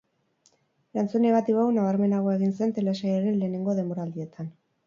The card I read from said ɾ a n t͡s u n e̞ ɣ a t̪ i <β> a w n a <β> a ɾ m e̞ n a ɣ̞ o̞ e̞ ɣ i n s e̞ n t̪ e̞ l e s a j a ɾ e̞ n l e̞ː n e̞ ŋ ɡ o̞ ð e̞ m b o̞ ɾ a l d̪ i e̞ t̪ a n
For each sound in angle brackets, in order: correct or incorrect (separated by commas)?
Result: correct, correct